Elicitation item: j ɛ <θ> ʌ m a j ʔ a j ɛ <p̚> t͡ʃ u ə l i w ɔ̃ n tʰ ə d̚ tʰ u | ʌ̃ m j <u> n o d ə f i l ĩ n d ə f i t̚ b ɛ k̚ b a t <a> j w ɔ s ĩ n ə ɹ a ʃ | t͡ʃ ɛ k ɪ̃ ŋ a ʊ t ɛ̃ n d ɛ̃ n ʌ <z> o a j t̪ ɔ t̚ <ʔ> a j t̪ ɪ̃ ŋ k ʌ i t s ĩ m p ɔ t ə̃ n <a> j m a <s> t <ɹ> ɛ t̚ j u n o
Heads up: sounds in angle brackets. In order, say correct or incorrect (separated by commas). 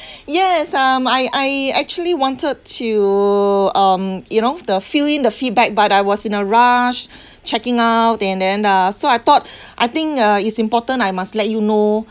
incorrect, incorrect, correct, correct, incorrect, correct, correct, correct, incorrect